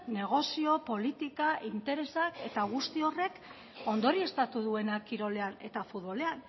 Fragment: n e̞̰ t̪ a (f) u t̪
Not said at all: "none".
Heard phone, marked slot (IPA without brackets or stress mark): f